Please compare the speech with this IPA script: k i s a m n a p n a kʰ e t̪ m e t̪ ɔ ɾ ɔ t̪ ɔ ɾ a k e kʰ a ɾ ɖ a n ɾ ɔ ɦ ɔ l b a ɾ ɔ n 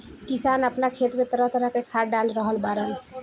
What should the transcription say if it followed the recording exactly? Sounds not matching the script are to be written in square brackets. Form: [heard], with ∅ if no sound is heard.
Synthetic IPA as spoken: k i s a [∅] n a p n a kʰ e t̪ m e t̪ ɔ ɾ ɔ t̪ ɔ ɾ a k e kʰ a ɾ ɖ a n ɾ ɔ ɦ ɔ l b a ɾ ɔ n

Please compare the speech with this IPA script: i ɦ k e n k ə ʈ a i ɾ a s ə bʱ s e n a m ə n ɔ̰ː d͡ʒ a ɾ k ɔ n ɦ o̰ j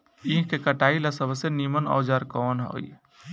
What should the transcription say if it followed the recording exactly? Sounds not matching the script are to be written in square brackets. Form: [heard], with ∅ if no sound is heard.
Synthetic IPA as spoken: i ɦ k e [∅] k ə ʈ a i [l] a s ə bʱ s e n [i] m ə n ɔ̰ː d͡ʒ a ɾ k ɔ n ɦ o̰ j

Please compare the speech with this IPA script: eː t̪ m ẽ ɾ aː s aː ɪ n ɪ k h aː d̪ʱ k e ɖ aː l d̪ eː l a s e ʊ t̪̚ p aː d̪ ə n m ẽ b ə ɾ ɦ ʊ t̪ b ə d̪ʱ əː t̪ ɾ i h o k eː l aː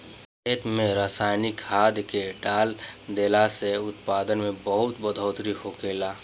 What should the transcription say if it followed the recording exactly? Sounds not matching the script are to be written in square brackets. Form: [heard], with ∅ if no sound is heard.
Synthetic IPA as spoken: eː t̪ m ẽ ɾ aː s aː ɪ n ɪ k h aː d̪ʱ k e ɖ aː l d̪ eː l a s e ʊ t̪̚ p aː d̪ ə n m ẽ b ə [∅] ɦ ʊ t̪ b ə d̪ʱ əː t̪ ɾ i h o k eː l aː

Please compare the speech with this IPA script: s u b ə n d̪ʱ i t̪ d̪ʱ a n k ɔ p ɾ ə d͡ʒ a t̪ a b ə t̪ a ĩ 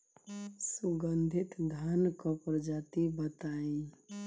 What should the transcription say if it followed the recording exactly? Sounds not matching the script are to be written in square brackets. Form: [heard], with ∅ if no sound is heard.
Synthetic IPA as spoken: s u [ɡ] ə n d̪ʱ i t̪ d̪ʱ a n k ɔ p ɾ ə d͡ʒ a t̪ [i] b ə t̪ a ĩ

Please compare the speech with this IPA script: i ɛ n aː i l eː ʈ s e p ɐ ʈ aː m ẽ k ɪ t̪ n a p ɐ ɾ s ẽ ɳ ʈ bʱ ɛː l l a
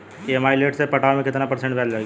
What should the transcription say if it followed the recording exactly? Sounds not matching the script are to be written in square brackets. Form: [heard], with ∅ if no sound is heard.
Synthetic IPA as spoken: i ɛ [m] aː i l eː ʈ s e p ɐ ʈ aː m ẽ k ɪ t̪ n a p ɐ ɾ s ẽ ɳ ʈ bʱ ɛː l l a

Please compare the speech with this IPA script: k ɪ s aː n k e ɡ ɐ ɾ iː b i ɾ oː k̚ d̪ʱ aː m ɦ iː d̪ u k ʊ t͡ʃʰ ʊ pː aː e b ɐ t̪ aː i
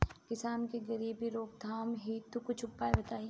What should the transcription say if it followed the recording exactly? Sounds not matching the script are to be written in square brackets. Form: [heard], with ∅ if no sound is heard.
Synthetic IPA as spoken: k ɪ s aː n k e ɡ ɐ ɾ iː b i ɾ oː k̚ d̪ʱ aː m ɦ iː [t̪] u k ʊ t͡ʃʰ ʊ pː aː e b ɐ t̪ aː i

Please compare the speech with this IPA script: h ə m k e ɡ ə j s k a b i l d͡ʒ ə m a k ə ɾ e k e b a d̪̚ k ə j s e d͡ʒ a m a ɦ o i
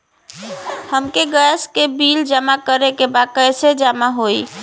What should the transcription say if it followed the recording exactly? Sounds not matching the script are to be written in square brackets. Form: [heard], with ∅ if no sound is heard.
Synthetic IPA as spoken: h ə m k e ɡ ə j s k [e] b i l d͡ʒ ə m a k ə ɾ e k e b a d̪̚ k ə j s e d͡ʒ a m a ɦ o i

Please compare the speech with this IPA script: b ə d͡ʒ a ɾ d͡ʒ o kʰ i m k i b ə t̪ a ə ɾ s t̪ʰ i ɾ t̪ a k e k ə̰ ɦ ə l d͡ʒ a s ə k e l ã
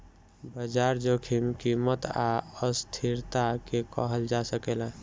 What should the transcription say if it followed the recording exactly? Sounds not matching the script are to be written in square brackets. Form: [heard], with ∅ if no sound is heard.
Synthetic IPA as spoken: b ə d͡ʒ a ɾ d͡ʒ o kʰ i m k i [m] ə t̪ a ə [∅] s t̪ʰ i ɾ t̪ a k e k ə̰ ɦ ə l d͡ʒ a s ə k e l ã

